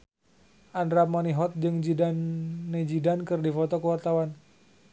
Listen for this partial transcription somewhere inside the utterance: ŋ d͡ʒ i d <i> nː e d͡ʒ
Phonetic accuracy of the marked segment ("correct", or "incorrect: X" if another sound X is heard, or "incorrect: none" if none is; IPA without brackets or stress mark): incorrect: a